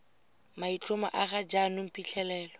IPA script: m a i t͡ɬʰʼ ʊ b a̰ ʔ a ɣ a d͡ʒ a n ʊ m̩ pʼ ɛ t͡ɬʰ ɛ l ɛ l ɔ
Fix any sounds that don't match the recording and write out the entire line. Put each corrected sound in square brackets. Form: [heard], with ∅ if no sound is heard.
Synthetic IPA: m a i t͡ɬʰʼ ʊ [m] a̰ ʔ a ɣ a d͡ʒ a n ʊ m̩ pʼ [i] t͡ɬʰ ɛ l [ɛː] l ɔ